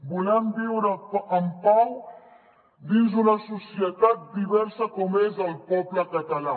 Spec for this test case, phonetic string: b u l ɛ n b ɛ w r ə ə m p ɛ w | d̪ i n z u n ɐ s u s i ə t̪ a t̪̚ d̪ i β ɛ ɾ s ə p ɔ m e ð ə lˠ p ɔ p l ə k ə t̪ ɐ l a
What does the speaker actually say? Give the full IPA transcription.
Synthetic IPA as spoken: b u l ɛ m b i w ɾ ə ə m p a w | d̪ i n z u n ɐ s u s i ə t̪ a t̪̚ d̪ i β ɛ ɾ s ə k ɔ m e z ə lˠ p ɔ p l ə k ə t̪ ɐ l a